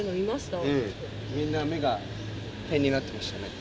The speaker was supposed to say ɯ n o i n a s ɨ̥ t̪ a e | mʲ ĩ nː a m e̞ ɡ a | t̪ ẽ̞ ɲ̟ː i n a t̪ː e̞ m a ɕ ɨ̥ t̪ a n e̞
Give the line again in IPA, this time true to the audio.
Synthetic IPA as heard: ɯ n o i m a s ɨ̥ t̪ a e | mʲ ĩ nː a m e̞ ɡ a | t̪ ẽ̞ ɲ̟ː i n a t̪ː e̞ m a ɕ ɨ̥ t̪ a n e̞